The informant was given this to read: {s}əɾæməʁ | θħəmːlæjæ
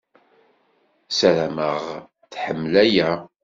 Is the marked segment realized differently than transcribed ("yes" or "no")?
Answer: no